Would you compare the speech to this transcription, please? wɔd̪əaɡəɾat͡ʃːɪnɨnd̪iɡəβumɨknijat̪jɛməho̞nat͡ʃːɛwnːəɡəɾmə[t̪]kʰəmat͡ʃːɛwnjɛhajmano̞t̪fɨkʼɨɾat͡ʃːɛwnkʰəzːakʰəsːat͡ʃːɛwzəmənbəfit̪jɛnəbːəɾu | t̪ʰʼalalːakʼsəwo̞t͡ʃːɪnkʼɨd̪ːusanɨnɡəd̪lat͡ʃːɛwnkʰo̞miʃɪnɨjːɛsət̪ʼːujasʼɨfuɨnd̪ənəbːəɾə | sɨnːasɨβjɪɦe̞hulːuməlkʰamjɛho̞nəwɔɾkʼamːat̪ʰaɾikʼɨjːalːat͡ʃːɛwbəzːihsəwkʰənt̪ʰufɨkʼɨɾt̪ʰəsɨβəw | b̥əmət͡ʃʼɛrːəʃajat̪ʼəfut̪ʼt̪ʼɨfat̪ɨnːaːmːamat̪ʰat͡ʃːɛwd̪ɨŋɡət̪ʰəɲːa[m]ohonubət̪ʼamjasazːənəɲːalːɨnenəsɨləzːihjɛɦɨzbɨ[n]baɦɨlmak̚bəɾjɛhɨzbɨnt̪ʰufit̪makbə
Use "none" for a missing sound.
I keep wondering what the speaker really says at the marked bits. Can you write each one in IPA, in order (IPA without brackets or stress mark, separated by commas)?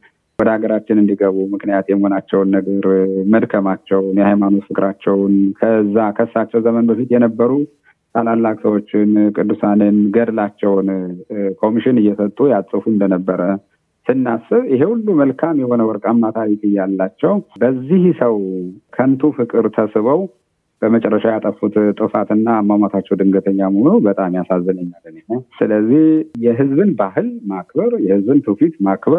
d̪, m, n